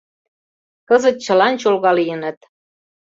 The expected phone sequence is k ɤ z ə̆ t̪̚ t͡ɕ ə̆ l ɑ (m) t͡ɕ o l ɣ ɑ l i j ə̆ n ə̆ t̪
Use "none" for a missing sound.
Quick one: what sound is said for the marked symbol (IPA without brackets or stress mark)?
n